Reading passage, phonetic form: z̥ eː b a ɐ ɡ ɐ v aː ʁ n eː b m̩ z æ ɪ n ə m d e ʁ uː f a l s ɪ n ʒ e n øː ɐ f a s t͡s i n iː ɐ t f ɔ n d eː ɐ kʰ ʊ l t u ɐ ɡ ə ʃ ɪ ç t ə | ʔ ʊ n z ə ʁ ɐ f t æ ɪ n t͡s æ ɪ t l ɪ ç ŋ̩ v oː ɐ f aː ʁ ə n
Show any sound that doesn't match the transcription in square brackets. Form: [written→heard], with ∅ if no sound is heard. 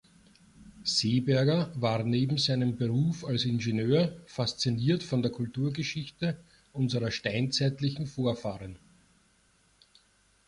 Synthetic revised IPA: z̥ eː b [a→ɛ] ɐ ɡ ɐ v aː ʁ n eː b m̩ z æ ɪ n ə m [d→b] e ʁ uː f a l s ɪ n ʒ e n øː ɐ f a s t͡s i n iː ɐ t f ɔ n d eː ɐ kʰ ʊ l t [u→uː] ɐ ɡ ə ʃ ɪ ç t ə | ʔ ʊ n z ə ʁ ɐ [f→ʃ] t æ ɪ n t͡s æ ɪ t l ɪ ç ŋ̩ [v→f] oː ɐ f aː ʁ ə n